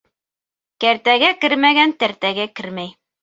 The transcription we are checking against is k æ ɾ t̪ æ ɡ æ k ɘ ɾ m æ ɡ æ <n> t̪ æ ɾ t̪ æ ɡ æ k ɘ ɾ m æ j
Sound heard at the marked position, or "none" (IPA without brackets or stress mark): n